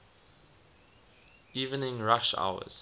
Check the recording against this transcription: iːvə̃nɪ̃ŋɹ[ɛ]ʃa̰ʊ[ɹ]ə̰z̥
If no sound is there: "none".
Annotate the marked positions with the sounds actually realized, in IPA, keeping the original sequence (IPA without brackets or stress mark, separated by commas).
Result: a, none